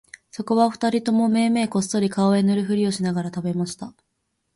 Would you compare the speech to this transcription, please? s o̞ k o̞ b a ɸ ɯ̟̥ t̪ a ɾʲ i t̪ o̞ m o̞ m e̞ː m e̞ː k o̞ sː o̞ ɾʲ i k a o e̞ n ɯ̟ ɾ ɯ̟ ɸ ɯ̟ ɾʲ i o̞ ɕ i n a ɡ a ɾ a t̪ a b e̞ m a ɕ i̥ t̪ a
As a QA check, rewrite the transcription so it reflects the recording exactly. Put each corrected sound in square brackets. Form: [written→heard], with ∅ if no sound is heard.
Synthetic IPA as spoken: s o̞ k o̞ [b→β] a ɸ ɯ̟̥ t̪ a ɾʲ i t̪ o̞ m o̞ m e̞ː m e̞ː k o̞ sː o̞ ɾʲ i k a o e̞ n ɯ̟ ɾ ɯ̟ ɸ ɯ̟ ɾʲ i o̞ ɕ i n a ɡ a ɾ a t̪ a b e̞ m a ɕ i̥ t̪ a